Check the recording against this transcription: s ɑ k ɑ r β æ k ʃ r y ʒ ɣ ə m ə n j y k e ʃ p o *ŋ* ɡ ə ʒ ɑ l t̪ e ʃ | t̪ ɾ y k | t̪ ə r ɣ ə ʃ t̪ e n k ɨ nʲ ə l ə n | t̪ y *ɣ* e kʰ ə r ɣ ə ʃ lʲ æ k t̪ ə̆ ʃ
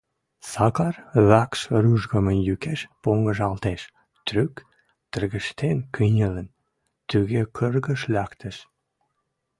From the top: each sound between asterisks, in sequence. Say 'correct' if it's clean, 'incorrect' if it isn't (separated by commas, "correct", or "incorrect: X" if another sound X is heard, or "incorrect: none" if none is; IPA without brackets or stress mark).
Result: correct, correct